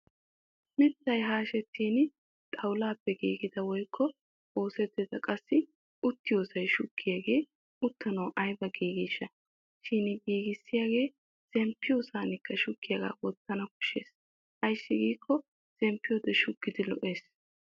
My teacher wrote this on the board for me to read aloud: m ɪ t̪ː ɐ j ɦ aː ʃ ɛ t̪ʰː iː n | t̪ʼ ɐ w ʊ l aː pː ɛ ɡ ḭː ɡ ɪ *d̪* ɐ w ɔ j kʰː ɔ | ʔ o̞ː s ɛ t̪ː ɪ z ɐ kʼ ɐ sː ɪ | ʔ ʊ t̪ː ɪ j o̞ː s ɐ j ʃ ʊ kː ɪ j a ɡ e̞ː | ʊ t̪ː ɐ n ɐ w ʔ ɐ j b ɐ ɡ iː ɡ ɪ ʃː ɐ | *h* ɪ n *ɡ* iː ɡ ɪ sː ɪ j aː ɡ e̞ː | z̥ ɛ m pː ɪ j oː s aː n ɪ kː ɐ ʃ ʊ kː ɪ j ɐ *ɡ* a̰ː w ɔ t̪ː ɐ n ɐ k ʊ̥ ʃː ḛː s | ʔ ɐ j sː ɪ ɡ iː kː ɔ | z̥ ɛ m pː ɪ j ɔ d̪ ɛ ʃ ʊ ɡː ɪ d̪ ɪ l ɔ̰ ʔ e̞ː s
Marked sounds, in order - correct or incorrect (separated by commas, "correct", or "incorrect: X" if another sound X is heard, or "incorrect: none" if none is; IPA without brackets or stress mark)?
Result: correct, incorrect: ʃ, correct, correct